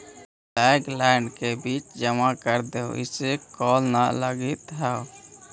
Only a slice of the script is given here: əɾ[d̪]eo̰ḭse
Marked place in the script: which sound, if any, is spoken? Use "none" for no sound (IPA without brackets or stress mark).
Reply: d̪